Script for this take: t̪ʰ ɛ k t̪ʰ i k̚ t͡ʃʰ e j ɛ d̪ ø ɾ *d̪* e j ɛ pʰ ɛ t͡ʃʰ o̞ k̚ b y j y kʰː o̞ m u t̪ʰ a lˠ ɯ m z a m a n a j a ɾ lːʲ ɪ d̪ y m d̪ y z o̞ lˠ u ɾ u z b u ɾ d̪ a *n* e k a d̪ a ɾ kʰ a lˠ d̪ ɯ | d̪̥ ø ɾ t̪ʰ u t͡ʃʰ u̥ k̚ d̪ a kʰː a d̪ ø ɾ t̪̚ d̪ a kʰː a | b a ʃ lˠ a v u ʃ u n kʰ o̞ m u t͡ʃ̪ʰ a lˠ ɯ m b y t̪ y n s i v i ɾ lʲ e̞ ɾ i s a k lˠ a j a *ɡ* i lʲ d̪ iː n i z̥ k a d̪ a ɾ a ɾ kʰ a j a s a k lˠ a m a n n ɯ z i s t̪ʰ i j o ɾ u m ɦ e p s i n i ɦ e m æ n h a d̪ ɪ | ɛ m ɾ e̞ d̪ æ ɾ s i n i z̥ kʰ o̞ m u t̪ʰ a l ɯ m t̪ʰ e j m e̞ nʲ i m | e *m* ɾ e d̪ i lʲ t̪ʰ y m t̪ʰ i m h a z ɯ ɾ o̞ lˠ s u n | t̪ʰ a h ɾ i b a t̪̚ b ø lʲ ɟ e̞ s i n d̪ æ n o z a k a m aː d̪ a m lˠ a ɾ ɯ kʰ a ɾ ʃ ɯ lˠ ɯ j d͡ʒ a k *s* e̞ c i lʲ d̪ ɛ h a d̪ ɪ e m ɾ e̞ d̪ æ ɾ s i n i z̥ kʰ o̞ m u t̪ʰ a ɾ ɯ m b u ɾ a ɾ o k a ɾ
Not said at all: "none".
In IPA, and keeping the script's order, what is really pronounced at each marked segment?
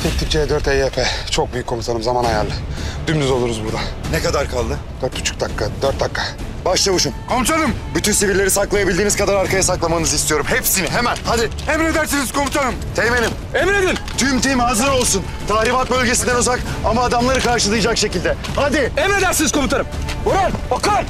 t̪, n, b, m, ʃ

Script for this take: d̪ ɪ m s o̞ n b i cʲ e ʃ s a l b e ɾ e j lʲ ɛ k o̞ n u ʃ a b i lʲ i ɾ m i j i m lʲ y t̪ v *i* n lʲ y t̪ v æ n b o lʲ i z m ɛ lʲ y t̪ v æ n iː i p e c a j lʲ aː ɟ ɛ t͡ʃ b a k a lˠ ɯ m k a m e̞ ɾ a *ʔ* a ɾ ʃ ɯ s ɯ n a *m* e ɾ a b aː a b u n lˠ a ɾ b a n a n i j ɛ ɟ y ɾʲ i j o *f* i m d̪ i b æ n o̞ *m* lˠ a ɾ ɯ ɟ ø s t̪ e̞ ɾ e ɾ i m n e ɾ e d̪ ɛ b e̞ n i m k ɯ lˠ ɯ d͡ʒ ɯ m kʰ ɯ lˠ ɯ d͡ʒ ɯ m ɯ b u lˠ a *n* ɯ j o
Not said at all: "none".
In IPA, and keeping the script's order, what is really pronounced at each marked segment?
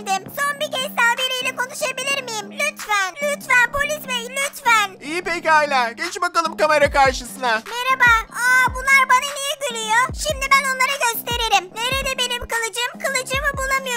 æ, k, m, ʃ, n, m

